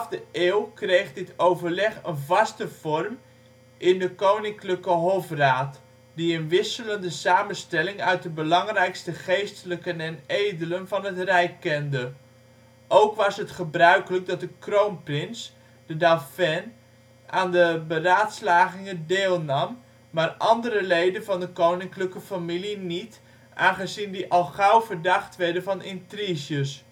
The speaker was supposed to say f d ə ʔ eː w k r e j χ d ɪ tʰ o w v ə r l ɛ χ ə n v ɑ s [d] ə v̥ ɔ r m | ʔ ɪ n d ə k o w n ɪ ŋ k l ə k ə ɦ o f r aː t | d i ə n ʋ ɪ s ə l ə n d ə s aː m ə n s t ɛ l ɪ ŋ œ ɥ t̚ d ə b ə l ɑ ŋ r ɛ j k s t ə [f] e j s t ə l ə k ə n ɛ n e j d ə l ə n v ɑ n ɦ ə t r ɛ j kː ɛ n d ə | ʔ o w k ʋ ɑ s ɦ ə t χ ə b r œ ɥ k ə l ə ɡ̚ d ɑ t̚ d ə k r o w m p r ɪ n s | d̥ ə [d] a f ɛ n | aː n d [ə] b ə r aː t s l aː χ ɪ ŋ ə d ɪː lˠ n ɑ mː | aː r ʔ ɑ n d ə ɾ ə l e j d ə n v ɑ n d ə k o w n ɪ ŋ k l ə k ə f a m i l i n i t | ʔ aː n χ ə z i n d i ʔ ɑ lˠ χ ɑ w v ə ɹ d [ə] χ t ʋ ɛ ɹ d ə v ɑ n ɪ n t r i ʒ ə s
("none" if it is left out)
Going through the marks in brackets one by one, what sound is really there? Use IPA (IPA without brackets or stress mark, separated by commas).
t, χ, d, ə, ɑ